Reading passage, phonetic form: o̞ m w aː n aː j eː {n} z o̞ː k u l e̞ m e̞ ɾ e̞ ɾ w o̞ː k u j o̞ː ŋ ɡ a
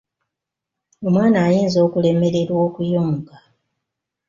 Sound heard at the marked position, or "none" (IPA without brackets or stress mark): n